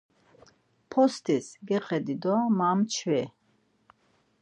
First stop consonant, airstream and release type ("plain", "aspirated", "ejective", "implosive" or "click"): aspirated